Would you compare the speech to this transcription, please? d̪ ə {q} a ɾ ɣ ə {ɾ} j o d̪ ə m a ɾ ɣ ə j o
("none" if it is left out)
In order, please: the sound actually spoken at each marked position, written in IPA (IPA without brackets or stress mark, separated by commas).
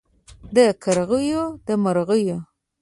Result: k, none